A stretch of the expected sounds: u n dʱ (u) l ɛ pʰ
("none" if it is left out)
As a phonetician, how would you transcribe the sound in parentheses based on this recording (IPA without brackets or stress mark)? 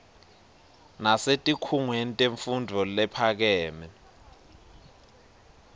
ɔ